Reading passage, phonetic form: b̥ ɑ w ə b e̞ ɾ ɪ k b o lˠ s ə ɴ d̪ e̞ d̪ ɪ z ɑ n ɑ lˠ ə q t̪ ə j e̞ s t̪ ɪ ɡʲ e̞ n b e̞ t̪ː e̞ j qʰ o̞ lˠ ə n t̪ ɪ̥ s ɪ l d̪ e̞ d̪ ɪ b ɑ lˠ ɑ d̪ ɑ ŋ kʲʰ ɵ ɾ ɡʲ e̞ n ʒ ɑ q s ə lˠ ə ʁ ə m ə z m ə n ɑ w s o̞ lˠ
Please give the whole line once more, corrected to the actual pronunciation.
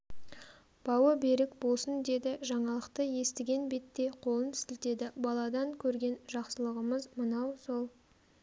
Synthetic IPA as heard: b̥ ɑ w ə b e̞ ɾ ɪ k b o lˠ s ə n d̪ e̞ d̪ ɪ ʒ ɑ ɴ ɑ lˠ ə q t̪ ə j e̞ s t̪ ɪ ɡʲ e̞ n b e̞ t̪ː e̞ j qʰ o̞ lˠ ə n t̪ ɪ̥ s ɪ l t̪ e̞ d̪ ɪ b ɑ lˠ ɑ d̪ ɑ ŋ kʲʰ ɵ ɾ ɡʲ e̞ n ʒ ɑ q s ə lˠ ə ʁ ə m ə z m ə n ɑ w s o̞ lˠ